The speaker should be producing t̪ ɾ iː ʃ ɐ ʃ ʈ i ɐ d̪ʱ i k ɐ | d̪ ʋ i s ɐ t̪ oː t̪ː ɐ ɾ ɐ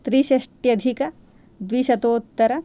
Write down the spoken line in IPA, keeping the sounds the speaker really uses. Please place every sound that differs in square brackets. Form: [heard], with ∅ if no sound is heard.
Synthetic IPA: t̪ ɾ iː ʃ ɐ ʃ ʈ [j] ɐ d̪ʱ i k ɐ | d̪ ʋ i [ʃ] ɐ t̪ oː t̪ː ɐ ɾ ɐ

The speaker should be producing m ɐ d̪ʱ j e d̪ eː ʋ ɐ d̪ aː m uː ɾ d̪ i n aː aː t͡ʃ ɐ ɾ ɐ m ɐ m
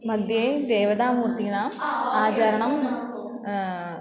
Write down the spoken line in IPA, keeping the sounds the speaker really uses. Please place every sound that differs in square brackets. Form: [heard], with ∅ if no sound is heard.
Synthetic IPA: m ɐ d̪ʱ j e d̪ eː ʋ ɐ d̪ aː m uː ɾ [t̪] i n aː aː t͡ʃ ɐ ɾ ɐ [ɳ] ɐ m

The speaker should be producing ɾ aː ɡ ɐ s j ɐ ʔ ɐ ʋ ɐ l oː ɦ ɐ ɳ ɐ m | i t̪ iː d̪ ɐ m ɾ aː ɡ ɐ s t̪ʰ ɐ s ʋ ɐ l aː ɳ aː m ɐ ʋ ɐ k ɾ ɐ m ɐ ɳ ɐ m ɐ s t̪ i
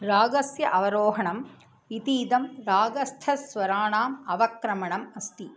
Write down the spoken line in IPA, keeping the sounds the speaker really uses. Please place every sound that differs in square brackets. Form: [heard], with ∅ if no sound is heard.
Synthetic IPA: ɾ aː ɡ ɐ s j ɐ ʔ ɐ ʋ ɐ [ɾ] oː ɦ ɐ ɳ ɐ m | i t̪ iː d̪ ɐ m ɾ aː ɡ ɐ s t̪ʰ ɐ s ʋ ɐ [ɾ] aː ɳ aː m ɐ ʋ ɐ k ɾ ɐ m ɐ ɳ ɐ m ɐ s t̪ i

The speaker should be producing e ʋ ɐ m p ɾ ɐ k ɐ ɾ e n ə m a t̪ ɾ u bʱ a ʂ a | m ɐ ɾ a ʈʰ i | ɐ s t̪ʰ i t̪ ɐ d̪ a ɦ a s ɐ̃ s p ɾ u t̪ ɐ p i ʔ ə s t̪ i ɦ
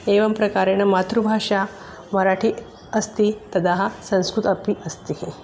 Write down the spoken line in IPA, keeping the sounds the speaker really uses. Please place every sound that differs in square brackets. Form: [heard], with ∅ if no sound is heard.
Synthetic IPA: e ʋ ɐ m p ɾ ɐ k [a] ɾ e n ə m a t̪ ɾ u bʱ a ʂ a | m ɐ ɾ a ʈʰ i | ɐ s [t̪] i t̪ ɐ d̪ a ɦ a s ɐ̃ s [k] ɾ u t̪ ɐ p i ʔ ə s t̪ i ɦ

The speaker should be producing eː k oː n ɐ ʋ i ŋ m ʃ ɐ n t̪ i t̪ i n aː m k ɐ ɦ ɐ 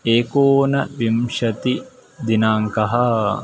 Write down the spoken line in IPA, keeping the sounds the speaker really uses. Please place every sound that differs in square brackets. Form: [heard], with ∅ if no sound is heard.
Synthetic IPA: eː k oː n ɐ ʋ i [∅] m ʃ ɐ [∅] t̪ i [d̪] i n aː [ŋ] k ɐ ɦ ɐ

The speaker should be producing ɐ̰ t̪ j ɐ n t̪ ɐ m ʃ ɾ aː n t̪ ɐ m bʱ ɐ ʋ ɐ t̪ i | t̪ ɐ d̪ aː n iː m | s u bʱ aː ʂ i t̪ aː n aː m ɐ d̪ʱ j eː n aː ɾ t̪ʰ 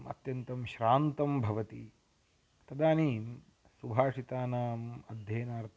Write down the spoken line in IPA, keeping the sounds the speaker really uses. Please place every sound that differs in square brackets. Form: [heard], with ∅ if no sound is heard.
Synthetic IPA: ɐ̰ t̪ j ɐ n t̪ ɐ m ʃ ɾ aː n t̪ ɐ m bʱ ɐ ʋ ɐ t̪ i | t̪ ɐ d̪ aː n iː m | s u bʱ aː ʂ i t̪ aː n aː m ɐ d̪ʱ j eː n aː ɾ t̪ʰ

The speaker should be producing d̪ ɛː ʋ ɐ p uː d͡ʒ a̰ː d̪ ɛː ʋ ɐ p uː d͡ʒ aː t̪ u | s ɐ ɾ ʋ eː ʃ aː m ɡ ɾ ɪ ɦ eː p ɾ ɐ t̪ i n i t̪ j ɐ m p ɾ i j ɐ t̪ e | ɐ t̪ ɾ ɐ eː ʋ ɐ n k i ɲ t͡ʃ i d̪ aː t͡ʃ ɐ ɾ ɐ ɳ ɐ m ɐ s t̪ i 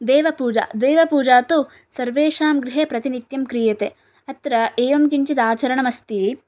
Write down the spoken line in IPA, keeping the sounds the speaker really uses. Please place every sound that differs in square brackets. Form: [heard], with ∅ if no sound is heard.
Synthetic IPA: d̪ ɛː ʋ ɐ p uː d͡ʒ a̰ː d̪ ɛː ʋ ɐ p uː d͡ʒ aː t̪ u | s ɐ ɾ ʋ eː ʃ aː m ɡ ɾ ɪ ɦ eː p ɾ ɐ t̪ i n i t̪ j ɐ m [k] ɾ i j ɐ t̪ e | ɐ t̪ ɾ ɐ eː ʋ ɐ [m] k i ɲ t͡ʃ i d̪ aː t͡ʃ ɐ ɾ ɐ ɳ ɐ m ɐ s t̪ i

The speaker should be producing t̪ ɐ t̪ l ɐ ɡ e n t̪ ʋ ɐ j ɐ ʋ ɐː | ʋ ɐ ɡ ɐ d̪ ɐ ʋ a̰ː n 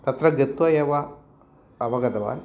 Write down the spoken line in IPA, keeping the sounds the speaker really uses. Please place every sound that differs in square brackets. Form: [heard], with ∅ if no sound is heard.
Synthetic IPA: t̪ ɐ t̪ [ɾ] ɐ ɡ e [∅] t̪ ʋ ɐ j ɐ ʋ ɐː | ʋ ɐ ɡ ɐ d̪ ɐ ʋ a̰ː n

